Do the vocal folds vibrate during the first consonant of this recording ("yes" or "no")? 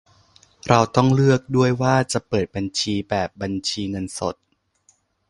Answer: yes